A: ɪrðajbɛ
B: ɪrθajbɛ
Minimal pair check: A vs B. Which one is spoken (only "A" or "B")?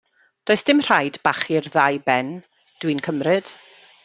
A